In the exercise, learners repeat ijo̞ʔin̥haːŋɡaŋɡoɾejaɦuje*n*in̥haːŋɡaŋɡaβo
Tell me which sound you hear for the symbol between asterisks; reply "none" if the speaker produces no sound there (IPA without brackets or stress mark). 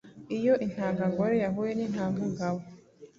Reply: n